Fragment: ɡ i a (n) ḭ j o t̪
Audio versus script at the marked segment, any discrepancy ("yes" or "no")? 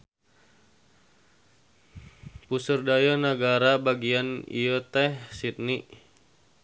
no